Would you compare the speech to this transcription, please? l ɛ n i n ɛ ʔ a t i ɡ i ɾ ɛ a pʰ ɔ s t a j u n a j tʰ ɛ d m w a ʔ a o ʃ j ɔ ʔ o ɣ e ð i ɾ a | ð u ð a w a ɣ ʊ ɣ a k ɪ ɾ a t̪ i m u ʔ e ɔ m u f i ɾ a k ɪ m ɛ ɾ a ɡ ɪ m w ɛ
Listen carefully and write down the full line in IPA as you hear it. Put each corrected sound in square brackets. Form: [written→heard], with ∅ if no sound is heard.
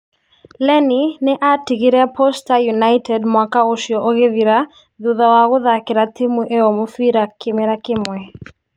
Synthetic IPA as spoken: l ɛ n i n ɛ ʔ a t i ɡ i ɾ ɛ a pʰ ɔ s t a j u n a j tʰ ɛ d m w a [ʔ→k] a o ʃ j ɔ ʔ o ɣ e ð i ɾ a | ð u ð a w a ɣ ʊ [ɣ→ð] a k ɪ ɾ a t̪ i m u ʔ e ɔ m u f i ɾ a k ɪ m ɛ ɾ a [ɡ→k] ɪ m w ɛ